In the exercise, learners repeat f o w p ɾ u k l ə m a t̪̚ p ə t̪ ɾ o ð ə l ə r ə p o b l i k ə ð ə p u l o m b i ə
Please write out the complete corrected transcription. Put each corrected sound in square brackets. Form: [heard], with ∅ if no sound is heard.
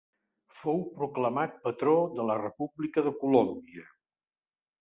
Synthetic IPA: f o w p ɾ u k l ə m a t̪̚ p ə t̪ ɾ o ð ə l ə r ə p [u] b l i k ə ð ə [k] u l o m b i ə

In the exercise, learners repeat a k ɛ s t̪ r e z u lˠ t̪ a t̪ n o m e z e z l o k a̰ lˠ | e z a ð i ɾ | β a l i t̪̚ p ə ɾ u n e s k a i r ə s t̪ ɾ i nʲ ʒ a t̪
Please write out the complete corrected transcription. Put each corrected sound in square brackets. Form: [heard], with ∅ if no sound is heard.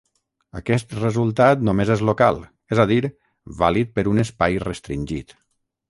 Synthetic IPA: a k ɛ s t̪ r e z u lˠ t̪ a t̪ n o m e z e z l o k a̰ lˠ | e z a ð i ɾ | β a l i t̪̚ p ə ɾ u n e s [p] a [j] r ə s t̪ ɾ i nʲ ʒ [i] t̪

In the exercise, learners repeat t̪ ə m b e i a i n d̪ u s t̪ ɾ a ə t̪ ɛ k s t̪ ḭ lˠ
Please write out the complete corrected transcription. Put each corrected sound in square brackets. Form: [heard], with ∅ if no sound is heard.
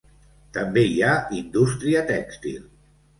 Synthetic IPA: t̪ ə m b e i a i n d̪ u s t̪ ɾ [i] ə t̪ ɛ k s t̪ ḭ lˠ

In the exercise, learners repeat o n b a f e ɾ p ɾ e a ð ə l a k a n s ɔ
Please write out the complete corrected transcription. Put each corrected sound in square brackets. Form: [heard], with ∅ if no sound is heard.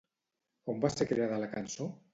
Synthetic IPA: o [m] b a [s] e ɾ [k] ɾ e a ð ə l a k a n s [o]

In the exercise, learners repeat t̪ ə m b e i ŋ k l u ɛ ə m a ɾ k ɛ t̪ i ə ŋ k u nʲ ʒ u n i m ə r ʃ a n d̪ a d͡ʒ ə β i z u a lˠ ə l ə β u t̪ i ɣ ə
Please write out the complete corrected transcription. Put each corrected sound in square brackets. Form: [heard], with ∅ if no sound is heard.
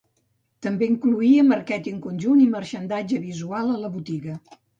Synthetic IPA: t̪ ə m b e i ŋ k l u [i] ə m [ə] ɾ k ɛ t̪ i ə ŋ k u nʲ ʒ u n i m ə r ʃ [ə] n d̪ a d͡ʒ ə β i z u a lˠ ə l ə β u t̪ i ɣ ə

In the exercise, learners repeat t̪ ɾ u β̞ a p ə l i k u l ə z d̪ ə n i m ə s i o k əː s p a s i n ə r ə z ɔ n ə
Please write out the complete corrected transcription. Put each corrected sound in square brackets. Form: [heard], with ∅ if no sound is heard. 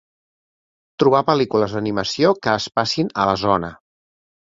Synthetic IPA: t̪ ɾ u β̞ a p ə l i k u l ə z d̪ ə n i m ə s i o k əː s p a s i n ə [l] ə z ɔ n ə

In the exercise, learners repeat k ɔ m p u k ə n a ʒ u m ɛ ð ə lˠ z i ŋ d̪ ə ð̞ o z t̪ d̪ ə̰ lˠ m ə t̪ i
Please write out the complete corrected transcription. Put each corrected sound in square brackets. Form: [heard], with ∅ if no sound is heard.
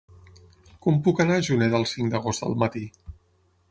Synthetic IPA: k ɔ m p u k ə n a ʒ u [n] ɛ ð ə lˠ [s] i ŋ d̪ ə [ɣ̞] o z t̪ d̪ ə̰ lˠ m ə t̪ i

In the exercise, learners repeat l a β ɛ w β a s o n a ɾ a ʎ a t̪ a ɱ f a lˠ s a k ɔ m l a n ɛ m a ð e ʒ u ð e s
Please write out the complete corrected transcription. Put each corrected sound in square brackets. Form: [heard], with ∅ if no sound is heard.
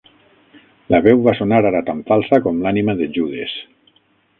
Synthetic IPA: l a β ɛ w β a s o n a ɾ a [ɾ] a t̪ a ɱ f a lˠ s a k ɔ m l a n [i] m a ð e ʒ u ð e s

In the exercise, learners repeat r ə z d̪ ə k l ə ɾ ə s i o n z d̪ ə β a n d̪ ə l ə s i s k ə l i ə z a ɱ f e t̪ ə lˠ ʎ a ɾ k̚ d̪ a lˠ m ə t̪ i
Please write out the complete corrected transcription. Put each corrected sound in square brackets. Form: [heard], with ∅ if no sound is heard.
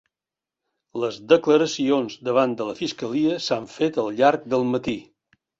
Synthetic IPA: [l] ə z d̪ ə k l ə ɾ ə s i o n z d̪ ə β a n d̪ ə l ə [f] i s k ə l i ə [s] a ɱ f e t̪ ə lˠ ʎ a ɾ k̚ d̪ [ə] lˠ m ə t̪ i

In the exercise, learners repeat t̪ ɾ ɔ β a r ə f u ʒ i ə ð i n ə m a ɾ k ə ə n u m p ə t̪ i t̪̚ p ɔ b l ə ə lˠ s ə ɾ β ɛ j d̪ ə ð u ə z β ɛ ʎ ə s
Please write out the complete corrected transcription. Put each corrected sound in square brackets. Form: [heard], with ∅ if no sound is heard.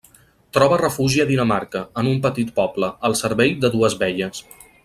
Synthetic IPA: t̪ ɾ ɔ β [ə] r ə f u ʒ i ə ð i n ə m a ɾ k ə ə n u m p ə t̪ i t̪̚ p ɔ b l ə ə lˠ s ə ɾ β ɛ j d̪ ə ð u ə z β ɛ ʎ ə s

